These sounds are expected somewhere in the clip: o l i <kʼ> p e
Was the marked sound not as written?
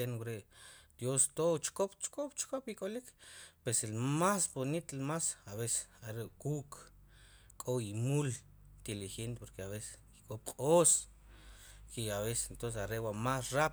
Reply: yes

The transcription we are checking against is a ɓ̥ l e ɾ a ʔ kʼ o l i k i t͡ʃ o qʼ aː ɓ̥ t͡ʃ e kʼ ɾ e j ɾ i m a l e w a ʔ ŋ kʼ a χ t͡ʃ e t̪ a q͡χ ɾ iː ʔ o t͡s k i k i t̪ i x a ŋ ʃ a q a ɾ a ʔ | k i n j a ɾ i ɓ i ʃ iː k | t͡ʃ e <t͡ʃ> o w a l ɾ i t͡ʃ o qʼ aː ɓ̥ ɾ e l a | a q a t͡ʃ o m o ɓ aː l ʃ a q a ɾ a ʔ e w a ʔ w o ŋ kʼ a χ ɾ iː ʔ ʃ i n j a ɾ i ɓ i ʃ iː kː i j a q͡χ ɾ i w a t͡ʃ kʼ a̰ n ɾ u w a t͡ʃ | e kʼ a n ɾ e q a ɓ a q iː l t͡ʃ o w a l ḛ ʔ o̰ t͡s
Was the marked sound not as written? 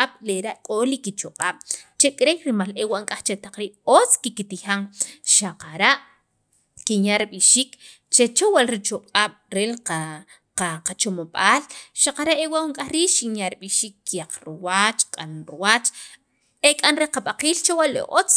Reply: no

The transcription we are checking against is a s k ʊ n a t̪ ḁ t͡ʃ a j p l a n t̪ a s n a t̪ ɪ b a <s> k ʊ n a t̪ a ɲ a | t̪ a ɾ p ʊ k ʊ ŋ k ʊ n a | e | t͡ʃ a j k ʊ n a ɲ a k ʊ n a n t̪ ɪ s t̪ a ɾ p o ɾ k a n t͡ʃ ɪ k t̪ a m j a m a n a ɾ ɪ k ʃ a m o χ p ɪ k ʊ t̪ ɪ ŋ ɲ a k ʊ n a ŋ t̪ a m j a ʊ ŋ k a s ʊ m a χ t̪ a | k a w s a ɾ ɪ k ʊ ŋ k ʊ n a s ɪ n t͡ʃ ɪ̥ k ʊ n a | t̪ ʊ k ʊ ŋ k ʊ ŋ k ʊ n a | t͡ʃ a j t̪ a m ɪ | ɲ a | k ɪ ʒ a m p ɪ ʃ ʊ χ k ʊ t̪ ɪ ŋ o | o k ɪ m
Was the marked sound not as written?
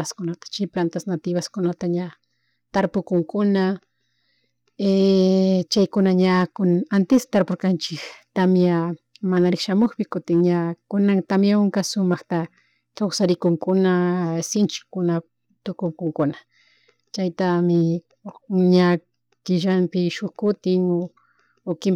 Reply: no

